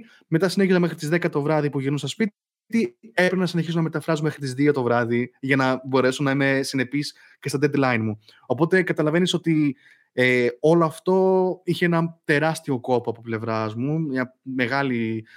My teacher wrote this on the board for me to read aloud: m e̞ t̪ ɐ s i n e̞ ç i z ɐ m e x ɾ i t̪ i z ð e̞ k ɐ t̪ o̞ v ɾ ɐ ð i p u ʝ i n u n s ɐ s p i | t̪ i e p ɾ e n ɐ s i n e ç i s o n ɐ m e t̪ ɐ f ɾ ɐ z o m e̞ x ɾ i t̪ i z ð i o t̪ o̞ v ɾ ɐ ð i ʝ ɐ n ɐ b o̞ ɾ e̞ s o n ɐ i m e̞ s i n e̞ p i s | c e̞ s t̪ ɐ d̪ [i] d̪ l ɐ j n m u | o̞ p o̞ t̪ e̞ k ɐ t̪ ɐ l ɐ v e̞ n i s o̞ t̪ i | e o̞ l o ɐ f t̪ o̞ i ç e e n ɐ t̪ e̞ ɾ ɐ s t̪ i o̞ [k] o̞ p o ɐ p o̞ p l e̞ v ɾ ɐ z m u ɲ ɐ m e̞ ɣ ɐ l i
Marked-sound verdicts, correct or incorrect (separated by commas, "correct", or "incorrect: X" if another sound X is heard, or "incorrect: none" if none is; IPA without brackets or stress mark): incorrect: e, correct